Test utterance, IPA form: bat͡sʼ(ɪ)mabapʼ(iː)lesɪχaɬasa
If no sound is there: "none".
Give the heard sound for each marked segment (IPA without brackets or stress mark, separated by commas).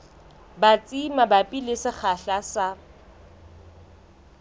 i, i